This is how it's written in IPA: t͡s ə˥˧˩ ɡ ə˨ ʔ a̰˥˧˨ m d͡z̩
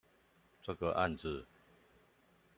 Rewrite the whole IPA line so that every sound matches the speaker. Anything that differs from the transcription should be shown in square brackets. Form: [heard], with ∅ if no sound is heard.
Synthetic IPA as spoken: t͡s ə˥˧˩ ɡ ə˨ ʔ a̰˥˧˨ [n] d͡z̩